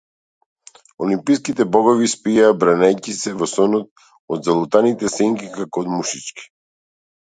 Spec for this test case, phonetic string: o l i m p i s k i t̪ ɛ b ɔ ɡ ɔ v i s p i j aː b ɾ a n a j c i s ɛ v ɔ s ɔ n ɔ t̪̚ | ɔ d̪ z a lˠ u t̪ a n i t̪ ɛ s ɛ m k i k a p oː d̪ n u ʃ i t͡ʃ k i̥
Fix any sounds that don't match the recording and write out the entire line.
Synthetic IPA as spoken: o l i m p i s k i t̪ ɛ b ɔ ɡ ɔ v i s p i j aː b ɾ a n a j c i s ɛ v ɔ s ɔ n ɔ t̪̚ | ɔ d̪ z a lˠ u t̪ a n i t̪ ɛ s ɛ ŋ k i k a k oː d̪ m u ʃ i t͡ʃ k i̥

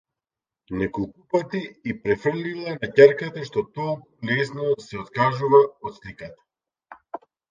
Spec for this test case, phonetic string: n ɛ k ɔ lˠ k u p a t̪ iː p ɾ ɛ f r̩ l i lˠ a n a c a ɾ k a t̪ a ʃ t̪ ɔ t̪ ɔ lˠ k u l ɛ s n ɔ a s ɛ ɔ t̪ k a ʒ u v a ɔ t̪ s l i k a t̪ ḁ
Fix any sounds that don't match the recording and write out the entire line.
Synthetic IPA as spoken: n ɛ k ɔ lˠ k u p a t̪ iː p ɾ ɛ f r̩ l i lˠ a n a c a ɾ k a t̪ a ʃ t̪ ɔ t̪ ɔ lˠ k u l ɛ s n ɔ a s ɛ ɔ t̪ k a ʒ u v a ɔ t̪ s l i k a t̪ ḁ

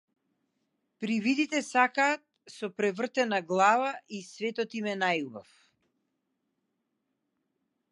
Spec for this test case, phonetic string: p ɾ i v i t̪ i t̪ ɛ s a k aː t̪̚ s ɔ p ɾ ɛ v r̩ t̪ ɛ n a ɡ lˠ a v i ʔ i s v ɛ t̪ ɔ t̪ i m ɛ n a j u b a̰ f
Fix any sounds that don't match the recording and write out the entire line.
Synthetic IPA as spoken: p ɾ i v i d̪ i t̪ ɛ s a k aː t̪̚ s ɔ p ɾ ɛ v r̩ t̪ ɛ n a ɡ lˠ a v a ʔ i s v ɛ t̪ ɔ t̪ i m ɛ n a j u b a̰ f

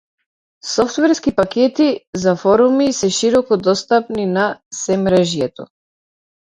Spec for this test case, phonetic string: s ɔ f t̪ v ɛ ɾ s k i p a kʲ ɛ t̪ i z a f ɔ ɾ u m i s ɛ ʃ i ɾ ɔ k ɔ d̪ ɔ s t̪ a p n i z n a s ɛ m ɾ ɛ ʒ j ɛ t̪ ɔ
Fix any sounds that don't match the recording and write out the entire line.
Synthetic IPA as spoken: s ɔ f t̪ v ɛ ɾ s k i p a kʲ ɛ t̪ i z a f ɔ ɾ u m i s ɛ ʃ i ɾ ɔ k ɔ d̪ ɔ s t̪ a p n i n a s ɛ m ɾ ɛ ʒ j ɛ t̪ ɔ

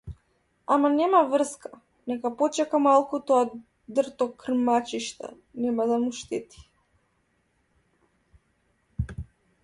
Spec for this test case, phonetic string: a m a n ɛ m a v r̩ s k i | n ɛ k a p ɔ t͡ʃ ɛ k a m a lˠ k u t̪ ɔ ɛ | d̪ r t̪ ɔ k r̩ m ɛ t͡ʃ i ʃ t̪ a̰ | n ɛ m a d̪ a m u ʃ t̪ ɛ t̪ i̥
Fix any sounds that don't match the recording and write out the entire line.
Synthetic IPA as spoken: a m a n ɛ m a v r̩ s k a | n ɛ k a p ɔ t͡ʃ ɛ k a m a lˠ k u t̪ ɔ a | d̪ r t̪ ɔ k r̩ m a t͡ʃ i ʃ t̪ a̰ | n ɛ m a d̪ a m u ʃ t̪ ɛ t̪ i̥

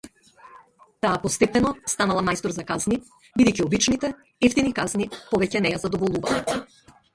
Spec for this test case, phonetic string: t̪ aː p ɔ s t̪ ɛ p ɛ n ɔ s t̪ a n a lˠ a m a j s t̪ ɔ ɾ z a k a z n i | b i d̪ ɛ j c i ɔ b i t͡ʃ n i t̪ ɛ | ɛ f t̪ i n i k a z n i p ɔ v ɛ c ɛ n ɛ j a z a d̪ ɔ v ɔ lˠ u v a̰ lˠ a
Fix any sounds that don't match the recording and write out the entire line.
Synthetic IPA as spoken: t̪ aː p ɔ s t̪ ɛ p ɛ n ɔ s t̪ a n a lˠ a m a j s t̪ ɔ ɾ z a k a z n i | b i d̪ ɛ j c i ɔ b i t͡ʃ n i t̪ ɛ | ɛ f t̪ i n i k a z n i p ɔ v ɛ c ɛ n ɛ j a z a d̪ ɔ v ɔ lˠ u v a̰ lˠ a

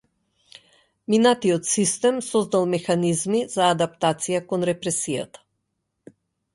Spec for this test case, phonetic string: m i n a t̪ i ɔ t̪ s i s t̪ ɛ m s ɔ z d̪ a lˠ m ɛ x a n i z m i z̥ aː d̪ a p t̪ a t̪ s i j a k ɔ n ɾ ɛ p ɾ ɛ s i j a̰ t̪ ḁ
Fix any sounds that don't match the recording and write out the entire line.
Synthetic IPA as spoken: m i n a t̪ i ɔ t̪ s i s t̪ ɛ m s ɔ z d̪ a lˠ m ɛ x a n i z m i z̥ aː d̪ a p t̪ a t̪ s i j a k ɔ n ɾ ɛ p ɾ ɛ s i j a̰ t̪ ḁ

